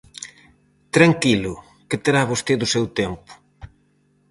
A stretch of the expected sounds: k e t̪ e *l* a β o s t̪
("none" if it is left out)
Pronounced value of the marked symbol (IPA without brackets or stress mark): ɾ